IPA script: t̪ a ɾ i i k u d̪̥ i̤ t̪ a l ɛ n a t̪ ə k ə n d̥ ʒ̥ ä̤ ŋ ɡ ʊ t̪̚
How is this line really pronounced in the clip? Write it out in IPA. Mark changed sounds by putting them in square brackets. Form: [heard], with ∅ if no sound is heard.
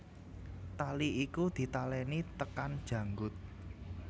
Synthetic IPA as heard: t̪ a [l] i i k u d̪̥ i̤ t̪ a l ɛ n [i] t̪ ə k [a] n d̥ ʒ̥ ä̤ ŋ ɡ ʊ t̪̚